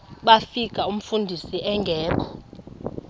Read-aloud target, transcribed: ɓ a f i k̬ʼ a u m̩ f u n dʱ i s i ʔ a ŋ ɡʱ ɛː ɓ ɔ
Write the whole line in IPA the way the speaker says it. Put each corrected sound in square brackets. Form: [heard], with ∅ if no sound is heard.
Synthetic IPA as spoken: ɓ a f i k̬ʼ a u m̩ f u n dʱ i s i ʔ [ɛ] ŋ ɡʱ ɛː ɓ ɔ